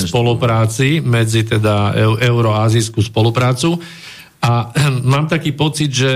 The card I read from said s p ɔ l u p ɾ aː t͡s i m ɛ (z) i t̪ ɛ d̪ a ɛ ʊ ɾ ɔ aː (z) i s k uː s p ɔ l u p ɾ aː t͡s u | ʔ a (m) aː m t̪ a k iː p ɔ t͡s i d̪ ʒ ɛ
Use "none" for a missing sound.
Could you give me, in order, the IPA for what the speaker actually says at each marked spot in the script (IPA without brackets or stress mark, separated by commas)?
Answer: d͡z, z, m